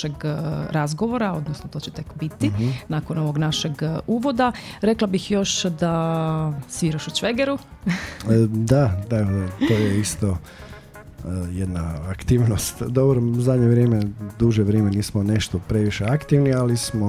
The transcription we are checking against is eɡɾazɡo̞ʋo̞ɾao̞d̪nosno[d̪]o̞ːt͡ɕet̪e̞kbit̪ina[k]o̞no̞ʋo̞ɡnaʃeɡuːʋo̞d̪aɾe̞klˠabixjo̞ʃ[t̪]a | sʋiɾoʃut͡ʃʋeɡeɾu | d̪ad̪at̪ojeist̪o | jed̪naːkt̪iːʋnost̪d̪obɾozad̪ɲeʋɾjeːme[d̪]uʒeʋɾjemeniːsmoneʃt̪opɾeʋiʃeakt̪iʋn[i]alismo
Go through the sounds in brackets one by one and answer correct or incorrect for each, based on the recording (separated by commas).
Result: incorrect, correct, incorrect, correct, correct